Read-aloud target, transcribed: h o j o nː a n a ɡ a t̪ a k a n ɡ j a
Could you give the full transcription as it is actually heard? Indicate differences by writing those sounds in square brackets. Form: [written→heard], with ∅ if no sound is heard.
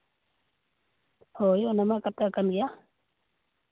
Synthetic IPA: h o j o [nː→n] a [n→m] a [ɡ→k] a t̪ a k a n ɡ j a